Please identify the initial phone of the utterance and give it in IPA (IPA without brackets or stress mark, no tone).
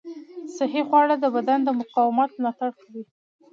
s